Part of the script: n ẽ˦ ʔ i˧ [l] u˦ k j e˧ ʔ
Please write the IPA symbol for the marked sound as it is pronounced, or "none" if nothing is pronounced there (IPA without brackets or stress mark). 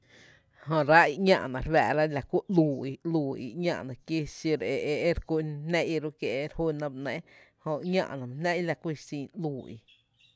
ɾ